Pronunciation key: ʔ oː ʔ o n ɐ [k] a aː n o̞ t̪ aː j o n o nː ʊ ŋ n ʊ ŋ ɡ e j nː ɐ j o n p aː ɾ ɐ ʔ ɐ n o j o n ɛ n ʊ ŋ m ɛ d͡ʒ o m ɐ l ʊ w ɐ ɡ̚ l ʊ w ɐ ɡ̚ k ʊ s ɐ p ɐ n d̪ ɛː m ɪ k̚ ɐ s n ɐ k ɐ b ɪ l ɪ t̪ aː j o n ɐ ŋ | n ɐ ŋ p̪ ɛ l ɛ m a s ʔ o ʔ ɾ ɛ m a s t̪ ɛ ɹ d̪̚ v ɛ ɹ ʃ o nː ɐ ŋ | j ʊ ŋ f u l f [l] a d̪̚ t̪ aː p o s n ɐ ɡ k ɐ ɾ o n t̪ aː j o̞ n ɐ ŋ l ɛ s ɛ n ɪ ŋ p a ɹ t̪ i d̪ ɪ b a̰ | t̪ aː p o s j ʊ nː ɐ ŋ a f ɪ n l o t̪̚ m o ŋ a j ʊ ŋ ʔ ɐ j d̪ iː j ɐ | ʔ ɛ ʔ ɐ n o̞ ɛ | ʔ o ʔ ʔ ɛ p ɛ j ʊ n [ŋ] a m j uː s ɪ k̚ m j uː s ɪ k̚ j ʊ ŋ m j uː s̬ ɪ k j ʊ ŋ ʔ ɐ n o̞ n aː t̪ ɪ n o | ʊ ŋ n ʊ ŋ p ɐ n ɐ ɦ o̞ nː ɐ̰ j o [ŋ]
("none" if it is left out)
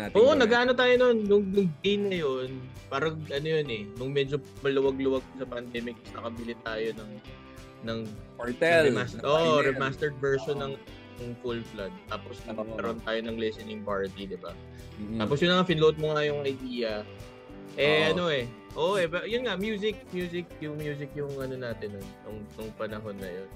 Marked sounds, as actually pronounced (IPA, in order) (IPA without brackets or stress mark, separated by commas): ɡ, l, ŋ, n